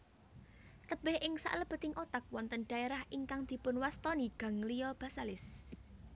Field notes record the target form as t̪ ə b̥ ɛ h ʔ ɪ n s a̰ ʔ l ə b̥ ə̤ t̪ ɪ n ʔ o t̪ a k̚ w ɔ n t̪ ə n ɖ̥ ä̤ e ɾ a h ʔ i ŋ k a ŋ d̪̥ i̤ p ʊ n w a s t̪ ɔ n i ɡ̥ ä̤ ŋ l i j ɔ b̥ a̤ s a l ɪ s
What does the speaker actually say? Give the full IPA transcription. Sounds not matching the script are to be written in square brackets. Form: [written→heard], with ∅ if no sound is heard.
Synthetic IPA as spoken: t̪ ə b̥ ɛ h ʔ ɪ [n→ŋ] s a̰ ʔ l ə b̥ ə̤ t̪ ɪ [n→ŋ] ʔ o t̪ a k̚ w ɔ n t̪ ə n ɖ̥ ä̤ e ɾ a h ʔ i ŋ k a ŋ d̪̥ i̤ p ʊ n w a s t̪ ɔ n i ɡ̥ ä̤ ŋ l i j ɔ b̥ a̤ s a l ɪ s